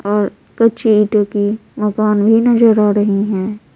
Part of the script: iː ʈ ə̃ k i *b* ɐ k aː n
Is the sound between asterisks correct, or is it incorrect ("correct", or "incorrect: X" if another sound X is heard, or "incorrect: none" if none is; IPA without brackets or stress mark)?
incorrect: m